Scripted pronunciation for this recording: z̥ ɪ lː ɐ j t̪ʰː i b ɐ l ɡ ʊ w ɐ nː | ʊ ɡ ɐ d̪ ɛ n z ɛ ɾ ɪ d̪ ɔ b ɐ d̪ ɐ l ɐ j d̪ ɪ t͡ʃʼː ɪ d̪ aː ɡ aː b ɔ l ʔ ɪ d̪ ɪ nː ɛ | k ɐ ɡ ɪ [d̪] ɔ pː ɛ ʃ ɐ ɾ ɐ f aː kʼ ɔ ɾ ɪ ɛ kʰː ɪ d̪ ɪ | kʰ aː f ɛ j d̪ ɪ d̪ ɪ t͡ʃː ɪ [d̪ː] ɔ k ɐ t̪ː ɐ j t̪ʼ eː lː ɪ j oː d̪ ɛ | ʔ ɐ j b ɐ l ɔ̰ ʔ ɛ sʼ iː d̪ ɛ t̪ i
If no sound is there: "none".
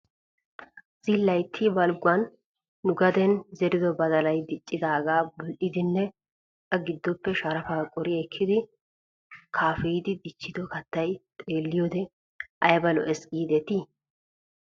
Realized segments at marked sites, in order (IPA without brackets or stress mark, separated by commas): d̪ː, d̪